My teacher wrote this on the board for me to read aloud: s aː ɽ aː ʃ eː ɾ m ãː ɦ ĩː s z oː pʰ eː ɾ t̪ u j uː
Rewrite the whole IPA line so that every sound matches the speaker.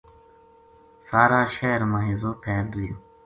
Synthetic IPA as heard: s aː ɾ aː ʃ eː ɾ m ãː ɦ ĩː z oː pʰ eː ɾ d̪ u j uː